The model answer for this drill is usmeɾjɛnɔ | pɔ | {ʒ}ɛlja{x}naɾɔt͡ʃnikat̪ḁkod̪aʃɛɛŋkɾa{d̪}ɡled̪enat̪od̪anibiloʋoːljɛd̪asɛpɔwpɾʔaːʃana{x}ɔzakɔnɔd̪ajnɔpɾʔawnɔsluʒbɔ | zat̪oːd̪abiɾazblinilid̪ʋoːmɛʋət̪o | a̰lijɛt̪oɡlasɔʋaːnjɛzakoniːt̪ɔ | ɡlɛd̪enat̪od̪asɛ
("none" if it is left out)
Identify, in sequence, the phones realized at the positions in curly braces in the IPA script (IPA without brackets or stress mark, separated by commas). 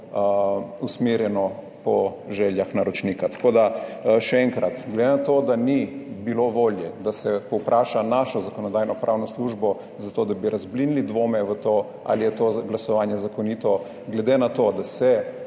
ʒ, x, t̪, ʃ